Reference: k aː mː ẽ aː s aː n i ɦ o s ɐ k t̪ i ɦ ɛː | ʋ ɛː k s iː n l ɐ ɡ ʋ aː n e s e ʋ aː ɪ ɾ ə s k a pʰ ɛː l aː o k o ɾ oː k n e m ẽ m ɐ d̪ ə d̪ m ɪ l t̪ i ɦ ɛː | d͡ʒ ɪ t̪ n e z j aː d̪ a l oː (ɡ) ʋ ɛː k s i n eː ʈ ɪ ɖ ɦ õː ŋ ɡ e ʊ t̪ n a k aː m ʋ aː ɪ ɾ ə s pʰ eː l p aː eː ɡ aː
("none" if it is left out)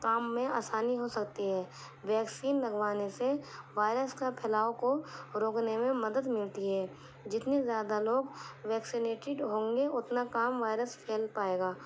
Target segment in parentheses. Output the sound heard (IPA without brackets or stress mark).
ɡ